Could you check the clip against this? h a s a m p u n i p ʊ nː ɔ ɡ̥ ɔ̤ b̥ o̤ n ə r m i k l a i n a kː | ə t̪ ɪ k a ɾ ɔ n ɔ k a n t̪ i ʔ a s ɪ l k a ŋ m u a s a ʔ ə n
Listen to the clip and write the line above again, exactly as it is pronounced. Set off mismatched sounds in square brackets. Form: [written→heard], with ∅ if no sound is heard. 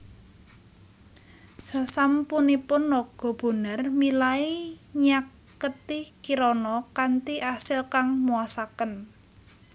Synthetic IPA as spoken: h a s a m p u n i p ʊ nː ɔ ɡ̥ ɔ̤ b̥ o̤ n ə r m i [k→∅] l a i [n→ɲ] a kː | ə t̪ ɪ k [a→i] ɾ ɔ n ɔ k a n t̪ i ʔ a s ɪ l k a ŋ m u a s a [ʔ→k] ə n